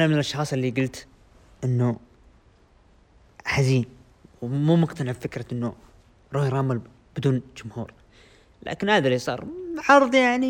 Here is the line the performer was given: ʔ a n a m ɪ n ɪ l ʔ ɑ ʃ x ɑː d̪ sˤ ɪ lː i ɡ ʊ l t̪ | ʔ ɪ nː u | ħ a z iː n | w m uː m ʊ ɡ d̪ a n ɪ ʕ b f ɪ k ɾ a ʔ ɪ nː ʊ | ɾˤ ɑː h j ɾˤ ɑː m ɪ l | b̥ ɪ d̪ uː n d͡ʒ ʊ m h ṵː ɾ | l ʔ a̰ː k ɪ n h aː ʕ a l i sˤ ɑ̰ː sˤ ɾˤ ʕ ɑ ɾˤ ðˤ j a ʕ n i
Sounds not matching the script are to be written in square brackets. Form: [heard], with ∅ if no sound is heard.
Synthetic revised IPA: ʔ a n a m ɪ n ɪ l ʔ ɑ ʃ x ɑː [∅] sˤ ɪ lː i ɡ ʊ l t̪ | ʔ ɪ nː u | ħ a z iː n | w m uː m ʊ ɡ [t̪] a n ɪ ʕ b f ɪ k ɾ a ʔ ɪ nː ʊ | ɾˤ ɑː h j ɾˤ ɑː m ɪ l | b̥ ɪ d̪ uː n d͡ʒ ʊ m h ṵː ɾ | l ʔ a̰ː k ɪ n h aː [ð] a l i sˤ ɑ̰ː [∅] ɾˤ ʕ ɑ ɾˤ ðˤ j a ʕ n i